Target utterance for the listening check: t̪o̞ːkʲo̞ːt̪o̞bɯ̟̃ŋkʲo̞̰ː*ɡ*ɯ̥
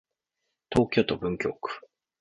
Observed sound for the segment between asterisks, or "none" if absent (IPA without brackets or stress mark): k